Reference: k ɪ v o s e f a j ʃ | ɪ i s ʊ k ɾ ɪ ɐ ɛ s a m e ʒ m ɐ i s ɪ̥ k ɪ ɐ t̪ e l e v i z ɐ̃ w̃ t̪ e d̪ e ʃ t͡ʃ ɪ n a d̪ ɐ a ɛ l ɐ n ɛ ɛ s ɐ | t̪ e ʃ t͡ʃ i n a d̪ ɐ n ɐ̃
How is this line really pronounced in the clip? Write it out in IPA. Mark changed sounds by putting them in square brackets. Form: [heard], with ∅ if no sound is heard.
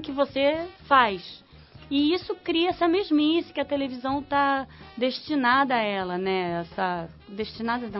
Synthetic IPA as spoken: k ɪ v o s e f a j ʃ | ɪ i s ʊ k ɾ [i] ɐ ɛ s [ɐ] m e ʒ m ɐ i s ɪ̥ k ɪ ɐ t̪ e l e v i z ɐ̃ w̃ t̪ [a] d̪ e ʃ t͡ʃ [i] n a d̪ ɐ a ɛ l ɐ n ɛ ɛ s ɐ | [d̪] e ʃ t͡ʃ i n a d̪ ɐ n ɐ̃